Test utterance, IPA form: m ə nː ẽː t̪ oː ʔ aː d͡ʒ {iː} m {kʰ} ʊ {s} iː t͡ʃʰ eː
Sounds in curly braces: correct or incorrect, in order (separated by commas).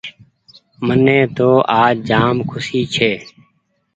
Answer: incorrect, correct, correct